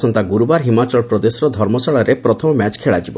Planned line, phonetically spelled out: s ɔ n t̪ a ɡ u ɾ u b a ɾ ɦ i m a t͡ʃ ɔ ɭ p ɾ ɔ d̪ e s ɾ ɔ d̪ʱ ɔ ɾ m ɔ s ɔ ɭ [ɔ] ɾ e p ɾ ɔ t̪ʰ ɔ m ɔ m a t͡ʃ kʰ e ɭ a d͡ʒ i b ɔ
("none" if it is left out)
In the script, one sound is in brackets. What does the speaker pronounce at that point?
ɔ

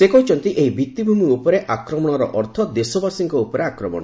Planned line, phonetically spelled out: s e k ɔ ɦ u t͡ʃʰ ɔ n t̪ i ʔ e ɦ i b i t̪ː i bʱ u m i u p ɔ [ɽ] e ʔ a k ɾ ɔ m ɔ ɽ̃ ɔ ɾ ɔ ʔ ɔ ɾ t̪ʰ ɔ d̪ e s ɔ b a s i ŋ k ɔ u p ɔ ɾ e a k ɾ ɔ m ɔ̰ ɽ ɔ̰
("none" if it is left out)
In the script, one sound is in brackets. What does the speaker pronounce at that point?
ɾ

